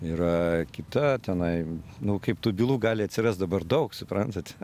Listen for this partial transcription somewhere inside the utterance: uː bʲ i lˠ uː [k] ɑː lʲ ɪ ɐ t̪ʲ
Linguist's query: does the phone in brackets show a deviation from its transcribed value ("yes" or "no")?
yes